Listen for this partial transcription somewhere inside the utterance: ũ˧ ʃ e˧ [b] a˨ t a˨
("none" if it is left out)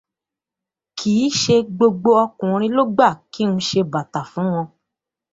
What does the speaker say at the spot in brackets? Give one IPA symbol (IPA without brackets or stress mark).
b